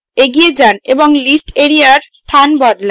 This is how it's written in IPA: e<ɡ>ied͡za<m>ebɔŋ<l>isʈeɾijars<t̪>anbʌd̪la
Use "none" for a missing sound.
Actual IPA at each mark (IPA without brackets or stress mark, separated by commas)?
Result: ɡ, n, l, t̪ʰ